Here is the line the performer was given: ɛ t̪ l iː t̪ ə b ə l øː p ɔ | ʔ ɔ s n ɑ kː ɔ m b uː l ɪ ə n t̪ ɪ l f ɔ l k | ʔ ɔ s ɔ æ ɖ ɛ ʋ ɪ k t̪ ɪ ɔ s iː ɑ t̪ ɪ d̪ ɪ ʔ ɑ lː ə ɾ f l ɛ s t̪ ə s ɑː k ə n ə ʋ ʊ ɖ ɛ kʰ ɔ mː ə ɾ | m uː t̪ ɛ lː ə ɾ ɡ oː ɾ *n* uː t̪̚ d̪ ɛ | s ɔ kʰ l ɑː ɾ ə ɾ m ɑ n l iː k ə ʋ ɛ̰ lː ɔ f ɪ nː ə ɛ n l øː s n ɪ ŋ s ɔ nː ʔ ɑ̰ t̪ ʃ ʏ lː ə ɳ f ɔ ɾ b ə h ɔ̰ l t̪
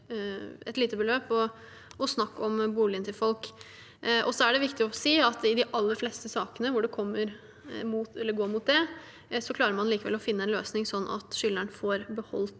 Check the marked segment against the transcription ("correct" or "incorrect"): incorrect